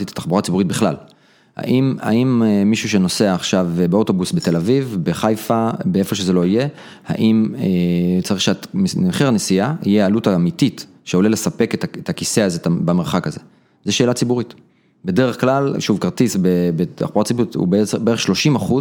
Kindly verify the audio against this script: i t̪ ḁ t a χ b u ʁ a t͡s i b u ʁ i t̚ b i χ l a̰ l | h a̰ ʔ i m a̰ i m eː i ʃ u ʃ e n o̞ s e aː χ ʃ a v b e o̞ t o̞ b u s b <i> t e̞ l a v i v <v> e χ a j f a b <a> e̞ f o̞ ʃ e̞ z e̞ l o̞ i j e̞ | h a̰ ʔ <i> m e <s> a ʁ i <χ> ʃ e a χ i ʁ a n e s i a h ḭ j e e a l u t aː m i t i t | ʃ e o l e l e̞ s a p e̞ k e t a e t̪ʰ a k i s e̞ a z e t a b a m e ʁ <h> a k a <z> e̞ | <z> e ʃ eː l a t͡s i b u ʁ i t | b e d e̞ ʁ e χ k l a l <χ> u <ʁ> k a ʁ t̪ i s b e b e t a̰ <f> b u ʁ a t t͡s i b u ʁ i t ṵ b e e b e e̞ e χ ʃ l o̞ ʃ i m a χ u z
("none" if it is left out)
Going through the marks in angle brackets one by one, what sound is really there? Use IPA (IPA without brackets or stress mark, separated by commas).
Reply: e, b, e, i, t͡s, χ, χ, z, z, ʃ, v, χ